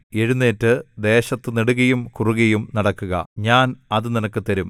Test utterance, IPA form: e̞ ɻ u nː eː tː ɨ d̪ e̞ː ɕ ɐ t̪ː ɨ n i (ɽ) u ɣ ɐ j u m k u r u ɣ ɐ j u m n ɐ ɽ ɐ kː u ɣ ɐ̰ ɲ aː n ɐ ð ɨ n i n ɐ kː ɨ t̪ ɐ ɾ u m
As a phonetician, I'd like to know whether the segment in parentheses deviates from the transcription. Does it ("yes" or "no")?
no